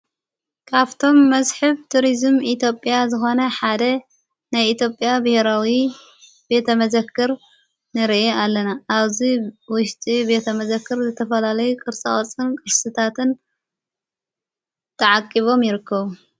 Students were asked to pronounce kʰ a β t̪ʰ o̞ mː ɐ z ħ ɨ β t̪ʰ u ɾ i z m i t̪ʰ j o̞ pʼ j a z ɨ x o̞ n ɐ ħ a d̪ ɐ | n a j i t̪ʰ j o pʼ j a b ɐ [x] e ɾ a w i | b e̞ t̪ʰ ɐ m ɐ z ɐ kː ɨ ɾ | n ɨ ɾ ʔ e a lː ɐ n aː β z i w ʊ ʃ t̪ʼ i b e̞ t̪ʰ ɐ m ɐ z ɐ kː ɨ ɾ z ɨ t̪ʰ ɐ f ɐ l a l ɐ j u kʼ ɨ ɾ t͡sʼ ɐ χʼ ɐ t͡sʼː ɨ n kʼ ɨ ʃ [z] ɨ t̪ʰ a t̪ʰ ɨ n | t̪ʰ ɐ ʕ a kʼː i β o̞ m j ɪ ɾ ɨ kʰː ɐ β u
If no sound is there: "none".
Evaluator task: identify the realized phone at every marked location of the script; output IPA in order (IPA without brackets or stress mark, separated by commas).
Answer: h, s